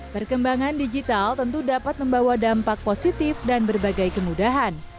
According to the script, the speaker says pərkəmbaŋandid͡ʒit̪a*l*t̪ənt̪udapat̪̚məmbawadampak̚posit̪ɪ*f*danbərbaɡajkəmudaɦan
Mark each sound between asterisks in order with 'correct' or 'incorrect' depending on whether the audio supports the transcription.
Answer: correct, correct

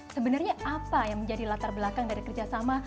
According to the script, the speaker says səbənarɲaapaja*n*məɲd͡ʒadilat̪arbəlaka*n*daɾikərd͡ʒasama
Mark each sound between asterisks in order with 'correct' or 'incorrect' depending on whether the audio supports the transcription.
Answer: incorrect: ŋ, incorrect: ŋ

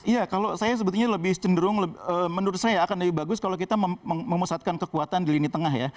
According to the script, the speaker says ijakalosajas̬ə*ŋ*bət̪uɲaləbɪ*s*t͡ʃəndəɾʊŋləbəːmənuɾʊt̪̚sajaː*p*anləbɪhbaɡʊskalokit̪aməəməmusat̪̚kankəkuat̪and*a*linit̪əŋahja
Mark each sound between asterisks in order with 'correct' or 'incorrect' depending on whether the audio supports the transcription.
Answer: incorrect: none, incorrect: h, incorrect: k, incorrect: i

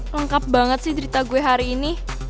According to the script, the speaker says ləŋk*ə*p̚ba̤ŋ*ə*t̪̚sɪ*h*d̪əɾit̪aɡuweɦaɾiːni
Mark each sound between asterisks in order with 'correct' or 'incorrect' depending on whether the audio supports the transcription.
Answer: incorrect: a, correct, correct

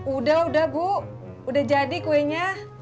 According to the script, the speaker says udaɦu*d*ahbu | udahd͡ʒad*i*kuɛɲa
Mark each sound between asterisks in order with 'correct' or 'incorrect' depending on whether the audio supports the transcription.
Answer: correct, correct

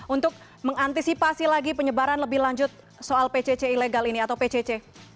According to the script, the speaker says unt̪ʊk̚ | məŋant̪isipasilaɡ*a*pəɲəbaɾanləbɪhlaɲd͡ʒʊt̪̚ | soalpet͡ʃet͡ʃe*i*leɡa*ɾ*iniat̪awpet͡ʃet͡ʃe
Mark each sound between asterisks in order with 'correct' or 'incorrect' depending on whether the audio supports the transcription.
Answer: incorrect: i, correct, incorrect: l

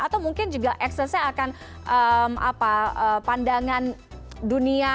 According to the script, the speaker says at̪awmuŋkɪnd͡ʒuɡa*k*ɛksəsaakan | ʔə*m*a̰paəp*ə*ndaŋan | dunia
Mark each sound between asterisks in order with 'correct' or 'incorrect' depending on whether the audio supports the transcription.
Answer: incorrect: ʔ, correct, incorrect: a

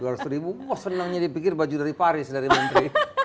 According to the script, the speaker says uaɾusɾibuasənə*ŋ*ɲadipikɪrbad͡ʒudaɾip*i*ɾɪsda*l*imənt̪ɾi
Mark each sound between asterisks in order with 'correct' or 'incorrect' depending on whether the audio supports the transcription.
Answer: correct, incorrect: a, incorrect: ɾ

